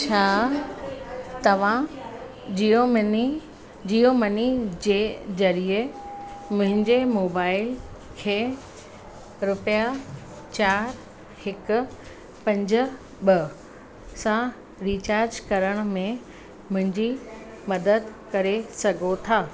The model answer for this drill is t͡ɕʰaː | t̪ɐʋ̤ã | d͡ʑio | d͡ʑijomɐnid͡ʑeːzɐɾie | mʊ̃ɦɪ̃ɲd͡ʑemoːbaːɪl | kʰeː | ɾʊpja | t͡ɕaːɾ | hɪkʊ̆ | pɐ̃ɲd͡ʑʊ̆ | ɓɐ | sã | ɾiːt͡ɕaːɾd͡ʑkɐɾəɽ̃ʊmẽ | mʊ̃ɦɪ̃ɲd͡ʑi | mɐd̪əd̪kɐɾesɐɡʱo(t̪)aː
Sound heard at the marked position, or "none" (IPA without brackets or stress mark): t̪ʰ